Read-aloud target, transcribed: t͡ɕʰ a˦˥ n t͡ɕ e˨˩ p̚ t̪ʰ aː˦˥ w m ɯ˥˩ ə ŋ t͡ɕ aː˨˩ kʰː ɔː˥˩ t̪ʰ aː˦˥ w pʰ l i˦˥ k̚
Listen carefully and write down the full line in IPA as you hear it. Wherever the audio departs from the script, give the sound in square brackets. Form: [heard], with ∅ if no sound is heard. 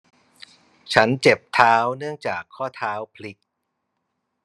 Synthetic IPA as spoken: t͡ɕʰ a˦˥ n t͡ɕ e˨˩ p̚ t̪ʰ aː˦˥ w [n] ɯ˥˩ ə ŋ t͡ɕ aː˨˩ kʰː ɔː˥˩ t̪ʰ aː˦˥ w pʰ l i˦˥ k̚